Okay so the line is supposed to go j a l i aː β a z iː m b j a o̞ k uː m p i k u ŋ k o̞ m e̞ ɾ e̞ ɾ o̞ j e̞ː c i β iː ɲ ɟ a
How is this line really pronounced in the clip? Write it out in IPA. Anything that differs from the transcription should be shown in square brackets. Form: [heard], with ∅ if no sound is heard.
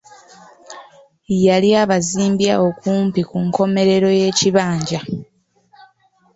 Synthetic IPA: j a l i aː β a z iː m b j a o̞ k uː m p i k u ŋ k o̞ m e̞ ɾ e̞ ɾ o̞ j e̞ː c i β [aː] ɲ ɟ a